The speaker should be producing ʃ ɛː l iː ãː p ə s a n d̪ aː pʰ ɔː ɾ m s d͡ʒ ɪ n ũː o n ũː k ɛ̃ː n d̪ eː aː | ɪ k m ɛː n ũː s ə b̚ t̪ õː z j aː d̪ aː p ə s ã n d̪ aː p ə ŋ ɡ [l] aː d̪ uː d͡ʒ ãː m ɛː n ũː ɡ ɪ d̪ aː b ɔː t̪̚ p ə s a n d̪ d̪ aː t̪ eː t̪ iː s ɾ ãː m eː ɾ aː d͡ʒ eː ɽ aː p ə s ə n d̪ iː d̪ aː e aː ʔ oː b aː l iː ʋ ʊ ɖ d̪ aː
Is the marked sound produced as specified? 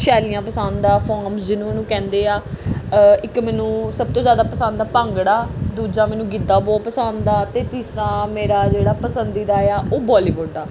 no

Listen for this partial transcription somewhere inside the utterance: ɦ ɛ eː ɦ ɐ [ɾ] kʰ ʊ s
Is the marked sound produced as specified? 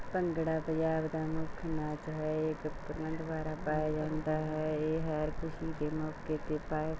yes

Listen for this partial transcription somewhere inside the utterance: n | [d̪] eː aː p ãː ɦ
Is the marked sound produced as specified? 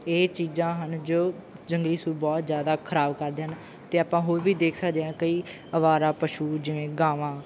no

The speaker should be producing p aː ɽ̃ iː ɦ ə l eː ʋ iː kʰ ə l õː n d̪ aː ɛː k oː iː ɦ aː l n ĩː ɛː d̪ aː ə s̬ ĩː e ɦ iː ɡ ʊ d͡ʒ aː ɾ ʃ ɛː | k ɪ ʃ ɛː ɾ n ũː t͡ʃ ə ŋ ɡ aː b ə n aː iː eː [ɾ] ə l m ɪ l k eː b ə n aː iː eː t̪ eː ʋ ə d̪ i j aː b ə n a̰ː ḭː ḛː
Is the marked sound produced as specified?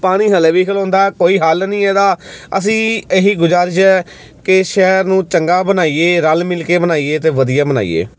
yes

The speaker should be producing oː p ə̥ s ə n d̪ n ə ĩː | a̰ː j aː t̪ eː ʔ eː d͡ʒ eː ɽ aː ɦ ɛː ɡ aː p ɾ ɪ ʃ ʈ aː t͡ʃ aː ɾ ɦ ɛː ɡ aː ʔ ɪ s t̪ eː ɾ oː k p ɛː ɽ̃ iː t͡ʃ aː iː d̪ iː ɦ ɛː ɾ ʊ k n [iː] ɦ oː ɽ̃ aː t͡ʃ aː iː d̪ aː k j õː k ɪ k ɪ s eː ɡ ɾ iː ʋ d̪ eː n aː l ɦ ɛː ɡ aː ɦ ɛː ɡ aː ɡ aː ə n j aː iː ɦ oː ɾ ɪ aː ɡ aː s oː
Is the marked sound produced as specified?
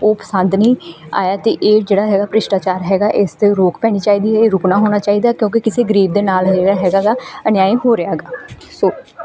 no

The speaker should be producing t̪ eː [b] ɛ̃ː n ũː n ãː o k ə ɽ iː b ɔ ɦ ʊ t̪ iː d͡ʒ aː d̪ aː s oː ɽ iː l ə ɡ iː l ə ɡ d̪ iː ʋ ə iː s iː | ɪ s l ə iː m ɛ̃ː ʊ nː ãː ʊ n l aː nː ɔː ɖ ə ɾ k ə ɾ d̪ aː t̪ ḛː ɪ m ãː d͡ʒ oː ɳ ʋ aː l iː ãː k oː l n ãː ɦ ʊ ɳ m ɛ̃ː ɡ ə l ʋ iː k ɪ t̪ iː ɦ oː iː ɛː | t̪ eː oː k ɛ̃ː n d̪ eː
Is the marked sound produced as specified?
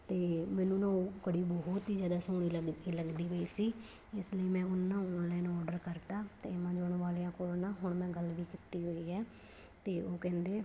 no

